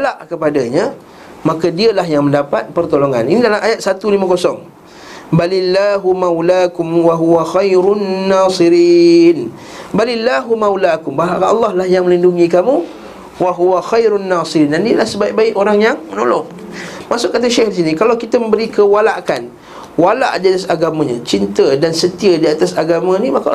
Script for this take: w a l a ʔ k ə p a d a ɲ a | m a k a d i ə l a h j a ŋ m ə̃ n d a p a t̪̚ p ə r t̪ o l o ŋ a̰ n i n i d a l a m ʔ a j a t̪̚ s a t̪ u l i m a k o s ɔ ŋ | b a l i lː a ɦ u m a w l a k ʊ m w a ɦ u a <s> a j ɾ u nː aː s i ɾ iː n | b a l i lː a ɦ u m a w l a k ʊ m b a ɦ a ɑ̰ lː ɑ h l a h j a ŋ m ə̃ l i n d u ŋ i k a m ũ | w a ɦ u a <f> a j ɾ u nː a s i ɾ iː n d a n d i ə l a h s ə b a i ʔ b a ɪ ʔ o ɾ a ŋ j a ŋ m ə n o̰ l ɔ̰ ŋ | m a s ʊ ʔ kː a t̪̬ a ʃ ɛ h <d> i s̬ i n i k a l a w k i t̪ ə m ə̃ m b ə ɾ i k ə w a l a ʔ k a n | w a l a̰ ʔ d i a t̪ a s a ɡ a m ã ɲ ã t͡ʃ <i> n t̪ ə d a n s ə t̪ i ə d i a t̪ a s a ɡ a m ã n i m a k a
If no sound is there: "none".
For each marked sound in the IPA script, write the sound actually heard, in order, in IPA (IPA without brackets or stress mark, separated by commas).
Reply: x, x, d, i